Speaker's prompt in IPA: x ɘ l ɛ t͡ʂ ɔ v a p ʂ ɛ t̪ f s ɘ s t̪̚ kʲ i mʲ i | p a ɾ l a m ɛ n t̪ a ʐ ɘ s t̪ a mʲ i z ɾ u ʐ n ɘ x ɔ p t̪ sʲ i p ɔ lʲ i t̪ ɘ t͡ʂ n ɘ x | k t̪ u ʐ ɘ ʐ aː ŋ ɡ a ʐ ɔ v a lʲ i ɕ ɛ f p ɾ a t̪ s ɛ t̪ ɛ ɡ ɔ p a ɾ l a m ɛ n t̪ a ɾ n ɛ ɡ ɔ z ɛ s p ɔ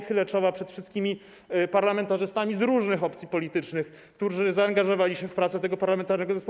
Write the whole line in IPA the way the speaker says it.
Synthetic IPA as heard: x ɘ l ɛ t͡ʂ ɔ v a p ʂ ɛ t̪ f ʂ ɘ s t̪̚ kʲ i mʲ i | p a ɾ l a m ɛ n t̪ a ʐ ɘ s t̪ a mʲ i z ɾ u ʐ n ɘ x ɔ p t̪ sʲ i p ɔ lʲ i t̪ ɘ t͡ʂ n ɘ x | k t̪ u ʐ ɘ z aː ŋ ɡ a ʐ ɔ v a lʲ i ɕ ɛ f p ɾ a t̪ s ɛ t̪ ɛ ɡ ɔ p a ɾ l a m ɛ n t̪ a ɾ n ɛ ɡ ɔ z ɛ s p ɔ